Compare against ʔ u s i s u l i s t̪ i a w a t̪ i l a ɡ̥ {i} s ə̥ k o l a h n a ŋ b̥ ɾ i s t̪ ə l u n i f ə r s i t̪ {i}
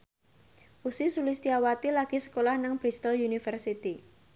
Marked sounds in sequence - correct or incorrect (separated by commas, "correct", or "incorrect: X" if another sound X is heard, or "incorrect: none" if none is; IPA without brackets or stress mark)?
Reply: correct, correct